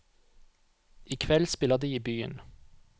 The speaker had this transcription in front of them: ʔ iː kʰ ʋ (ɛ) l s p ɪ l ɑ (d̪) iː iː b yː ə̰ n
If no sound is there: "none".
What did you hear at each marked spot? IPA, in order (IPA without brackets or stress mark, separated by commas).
ɛ, d̪